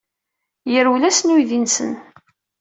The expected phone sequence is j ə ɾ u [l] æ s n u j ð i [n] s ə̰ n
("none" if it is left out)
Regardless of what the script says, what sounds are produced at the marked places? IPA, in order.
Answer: l, n

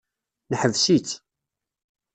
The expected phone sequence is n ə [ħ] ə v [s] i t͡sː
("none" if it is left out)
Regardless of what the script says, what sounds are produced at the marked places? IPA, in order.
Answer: ħ, s

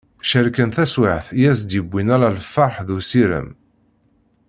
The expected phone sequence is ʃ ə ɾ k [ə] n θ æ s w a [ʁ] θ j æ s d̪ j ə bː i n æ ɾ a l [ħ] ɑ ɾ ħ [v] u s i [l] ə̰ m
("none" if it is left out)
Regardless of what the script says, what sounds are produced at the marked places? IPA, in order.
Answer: ə, ʕ, f, ð, ɾ

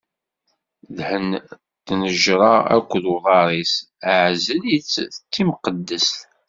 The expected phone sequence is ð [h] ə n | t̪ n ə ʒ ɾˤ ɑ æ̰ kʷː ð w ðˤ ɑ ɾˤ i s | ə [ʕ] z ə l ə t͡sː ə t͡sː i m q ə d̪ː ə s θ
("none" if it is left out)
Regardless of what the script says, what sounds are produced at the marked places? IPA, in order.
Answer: h, ʕ

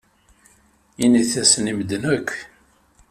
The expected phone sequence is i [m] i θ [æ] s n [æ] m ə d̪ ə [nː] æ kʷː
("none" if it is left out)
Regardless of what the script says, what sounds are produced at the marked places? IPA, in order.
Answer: n, æ, i, n

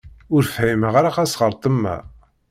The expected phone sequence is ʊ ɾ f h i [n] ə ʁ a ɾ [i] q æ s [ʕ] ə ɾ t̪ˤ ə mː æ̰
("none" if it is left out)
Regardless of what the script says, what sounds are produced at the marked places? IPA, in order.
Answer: m, a, ʁ

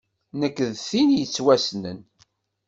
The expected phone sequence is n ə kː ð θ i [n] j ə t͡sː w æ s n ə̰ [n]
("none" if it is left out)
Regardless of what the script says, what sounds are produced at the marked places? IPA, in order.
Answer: n, n

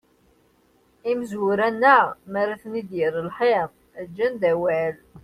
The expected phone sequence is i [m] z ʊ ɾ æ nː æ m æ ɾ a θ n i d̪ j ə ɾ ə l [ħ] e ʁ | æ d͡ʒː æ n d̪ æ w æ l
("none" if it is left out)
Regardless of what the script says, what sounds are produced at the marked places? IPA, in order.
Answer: m, ħ

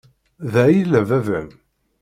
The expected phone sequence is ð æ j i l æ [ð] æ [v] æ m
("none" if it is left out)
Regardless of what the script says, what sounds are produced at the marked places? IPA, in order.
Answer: v, v

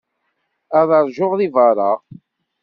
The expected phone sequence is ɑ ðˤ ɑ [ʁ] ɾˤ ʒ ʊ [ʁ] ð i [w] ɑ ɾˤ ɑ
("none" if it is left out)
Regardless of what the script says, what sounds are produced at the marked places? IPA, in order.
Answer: none, ʁ, v

